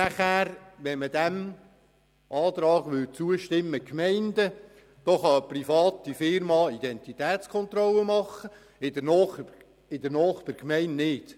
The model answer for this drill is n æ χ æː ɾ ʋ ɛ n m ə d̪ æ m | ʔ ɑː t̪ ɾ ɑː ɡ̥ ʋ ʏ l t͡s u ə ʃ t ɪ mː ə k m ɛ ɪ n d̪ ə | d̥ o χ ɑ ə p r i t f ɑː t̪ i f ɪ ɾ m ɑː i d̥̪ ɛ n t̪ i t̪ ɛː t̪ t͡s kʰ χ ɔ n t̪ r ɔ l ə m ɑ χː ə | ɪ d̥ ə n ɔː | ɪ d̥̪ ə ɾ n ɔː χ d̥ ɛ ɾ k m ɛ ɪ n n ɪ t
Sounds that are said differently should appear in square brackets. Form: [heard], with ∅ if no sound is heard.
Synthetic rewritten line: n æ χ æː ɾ ʋ ɛ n m ə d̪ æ m | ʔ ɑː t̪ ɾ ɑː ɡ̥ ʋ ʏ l t͡s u ə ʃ t ɪ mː ə k m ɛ ɪ n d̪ ə | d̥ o χ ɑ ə p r i [∅] f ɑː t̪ i f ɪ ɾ m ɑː i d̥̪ ɛ n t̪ i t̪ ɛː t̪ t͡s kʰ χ ɔ n t̪ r ɔ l ə m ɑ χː ə | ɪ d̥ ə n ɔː | ɪ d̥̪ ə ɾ n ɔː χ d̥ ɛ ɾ k m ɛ ɪ n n ɪ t